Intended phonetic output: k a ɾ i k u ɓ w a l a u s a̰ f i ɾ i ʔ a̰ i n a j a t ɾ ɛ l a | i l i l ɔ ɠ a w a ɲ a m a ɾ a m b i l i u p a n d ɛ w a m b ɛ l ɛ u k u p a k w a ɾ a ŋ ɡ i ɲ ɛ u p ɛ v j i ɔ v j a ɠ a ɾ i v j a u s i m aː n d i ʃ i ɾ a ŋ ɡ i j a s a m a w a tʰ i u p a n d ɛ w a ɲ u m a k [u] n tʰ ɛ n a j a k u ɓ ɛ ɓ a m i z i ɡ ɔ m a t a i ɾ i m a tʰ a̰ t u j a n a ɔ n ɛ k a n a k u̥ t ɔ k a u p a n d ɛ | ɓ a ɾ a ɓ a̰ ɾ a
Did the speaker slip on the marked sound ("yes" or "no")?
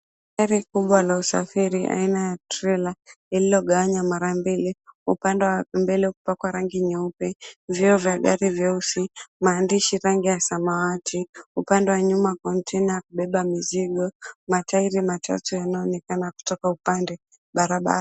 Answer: yes